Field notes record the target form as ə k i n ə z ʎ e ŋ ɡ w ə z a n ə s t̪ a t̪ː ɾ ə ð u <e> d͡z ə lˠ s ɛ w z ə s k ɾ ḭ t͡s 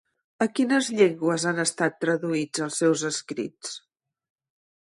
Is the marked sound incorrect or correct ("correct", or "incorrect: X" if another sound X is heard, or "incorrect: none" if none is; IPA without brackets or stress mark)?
incorrect: i